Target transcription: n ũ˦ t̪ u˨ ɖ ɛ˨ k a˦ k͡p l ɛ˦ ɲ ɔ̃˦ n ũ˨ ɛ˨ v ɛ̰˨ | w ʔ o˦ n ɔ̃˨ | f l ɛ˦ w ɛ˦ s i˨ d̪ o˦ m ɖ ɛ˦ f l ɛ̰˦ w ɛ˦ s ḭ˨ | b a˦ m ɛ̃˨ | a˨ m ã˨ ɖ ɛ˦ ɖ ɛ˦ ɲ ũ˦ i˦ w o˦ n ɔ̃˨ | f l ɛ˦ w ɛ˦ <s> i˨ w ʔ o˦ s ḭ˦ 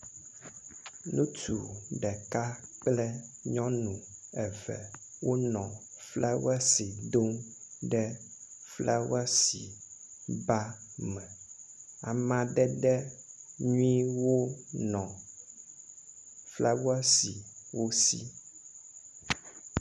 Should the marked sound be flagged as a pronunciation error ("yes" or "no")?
no